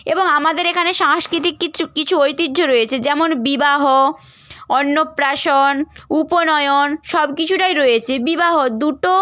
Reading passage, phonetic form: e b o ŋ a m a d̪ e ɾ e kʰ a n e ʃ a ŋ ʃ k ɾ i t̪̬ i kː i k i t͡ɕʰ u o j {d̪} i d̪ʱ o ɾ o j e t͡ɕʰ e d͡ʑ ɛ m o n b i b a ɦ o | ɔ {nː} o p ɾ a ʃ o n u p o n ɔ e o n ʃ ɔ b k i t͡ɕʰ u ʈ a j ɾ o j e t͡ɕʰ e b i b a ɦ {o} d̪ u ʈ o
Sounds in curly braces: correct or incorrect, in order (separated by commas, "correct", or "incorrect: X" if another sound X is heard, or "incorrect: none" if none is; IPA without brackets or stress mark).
incorrect: t̪, correct, correct